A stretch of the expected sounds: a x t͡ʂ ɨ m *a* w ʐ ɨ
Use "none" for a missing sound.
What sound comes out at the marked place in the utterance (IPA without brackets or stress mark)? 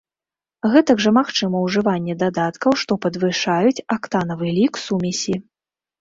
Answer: ɐ